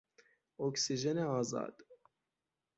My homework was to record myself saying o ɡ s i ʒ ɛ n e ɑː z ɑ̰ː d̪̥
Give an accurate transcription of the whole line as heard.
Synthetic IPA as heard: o k s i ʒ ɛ n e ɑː z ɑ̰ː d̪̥